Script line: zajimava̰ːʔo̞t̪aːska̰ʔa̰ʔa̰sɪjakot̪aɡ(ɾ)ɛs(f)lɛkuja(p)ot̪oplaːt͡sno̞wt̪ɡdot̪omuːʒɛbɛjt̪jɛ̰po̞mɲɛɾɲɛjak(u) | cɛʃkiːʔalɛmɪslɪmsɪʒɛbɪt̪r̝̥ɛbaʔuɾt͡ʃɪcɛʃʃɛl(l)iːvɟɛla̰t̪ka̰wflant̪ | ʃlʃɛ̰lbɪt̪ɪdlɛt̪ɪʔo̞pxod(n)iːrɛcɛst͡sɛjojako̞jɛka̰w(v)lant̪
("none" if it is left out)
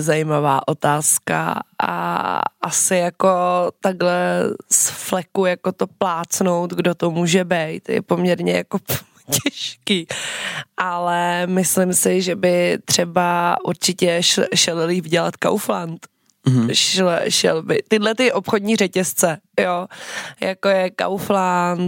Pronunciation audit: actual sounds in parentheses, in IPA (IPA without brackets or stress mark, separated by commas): l, f, k, o, l, ɲ, f